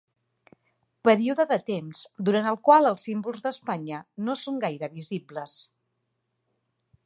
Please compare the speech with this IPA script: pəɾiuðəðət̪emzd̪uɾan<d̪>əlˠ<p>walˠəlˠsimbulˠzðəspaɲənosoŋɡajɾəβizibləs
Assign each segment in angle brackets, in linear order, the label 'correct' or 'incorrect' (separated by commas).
incorrect, incorrect